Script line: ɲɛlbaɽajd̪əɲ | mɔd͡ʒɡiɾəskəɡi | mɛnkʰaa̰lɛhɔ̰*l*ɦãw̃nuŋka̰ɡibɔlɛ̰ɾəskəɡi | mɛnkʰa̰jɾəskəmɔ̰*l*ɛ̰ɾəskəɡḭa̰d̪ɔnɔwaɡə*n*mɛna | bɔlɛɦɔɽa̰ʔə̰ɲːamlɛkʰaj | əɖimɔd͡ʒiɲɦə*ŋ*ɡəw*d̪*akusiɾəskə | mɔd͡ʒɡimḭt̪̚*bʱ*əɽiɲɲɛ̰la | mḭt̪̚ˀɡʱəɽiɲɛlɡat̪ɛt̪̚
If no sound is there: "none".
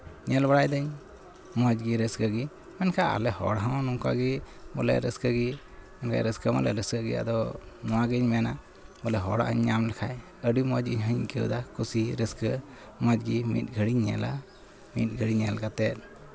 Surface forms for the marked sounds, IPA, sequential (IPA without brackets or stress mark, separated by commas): ɽ, l, ɲ, ɲ, d̪, ɡʱ